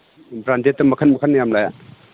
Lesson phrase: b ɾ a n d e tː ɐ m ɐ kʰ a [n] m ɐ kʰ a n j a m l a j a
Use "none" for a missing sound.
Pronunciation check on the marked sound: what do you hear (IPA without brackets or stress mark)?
n